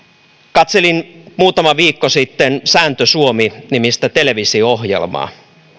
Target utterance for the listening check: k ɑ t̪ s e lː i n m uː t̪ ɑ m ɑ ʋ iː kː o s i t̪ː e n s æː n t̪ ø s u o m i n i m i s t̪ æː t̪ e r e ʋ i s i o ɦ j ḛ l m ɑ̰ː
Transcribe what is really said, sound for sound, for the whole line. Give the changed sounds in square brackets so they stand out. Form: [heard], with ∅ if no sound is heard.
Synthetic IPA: k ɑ t̪ s e [l] i n m uː t̪ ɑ m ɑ ʋ iː kː o s i t̪ː e n s æː n t̪ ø s u o m i n i m i s t̪ [æ] t̪ e [l] e ʋ i s i o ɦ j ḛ l m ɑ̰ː